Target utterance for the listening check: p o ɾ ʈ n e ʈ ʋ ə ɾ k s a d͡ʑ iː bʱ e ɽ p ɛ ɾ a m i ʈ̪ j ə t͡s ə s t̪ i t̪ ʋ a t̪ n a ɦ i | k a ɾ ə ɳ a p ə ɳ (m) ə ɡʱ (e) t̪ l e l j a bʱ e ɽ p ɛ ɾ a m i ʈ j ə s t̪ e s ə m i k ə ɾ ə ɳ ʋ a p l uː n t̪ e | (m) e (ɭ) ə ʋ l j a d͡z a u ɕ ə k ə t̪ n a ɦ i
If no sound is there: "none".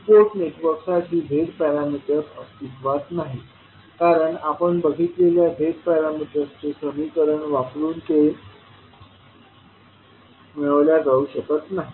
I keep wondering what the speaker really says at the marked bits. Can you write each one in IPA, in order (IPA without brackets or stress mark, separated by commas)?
b, i, m, ɭ